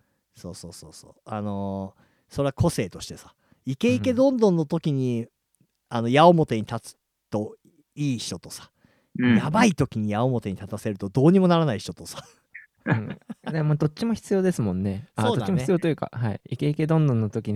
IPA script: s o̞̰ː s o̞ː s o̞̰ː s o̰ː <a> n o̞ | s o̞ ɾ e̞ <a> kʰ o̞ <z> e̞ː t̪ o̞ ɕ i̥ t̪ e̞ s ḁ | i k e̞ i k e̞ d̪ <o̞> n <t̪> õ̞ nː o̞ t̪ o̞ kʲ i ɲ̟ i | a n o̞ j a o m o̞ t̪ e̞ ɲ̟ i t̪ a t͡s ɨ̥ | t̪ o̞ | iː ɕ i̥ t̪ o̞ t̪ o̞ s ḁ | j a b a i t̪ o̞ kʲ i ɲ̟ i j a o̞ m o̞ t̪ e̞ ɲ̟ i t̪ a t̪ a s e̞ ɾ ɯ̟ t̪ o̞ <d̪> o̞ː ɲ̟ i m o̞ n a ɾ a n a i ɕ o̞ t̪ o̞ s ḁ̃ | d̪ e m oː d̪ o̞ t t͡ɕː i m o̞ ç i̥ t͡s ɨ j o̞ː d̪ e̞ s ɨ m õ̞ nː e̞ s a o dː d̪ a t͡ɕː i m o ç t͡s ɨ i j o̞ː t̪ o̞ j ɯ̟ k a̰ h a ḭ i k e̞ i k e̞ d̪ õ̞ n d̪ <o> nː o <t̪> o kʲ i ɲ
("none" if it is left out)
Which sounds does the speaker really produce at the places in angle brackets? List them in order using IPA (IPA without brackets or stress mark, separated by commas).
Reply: a, a, s, õ̞, d̪, d̪, õ, t̪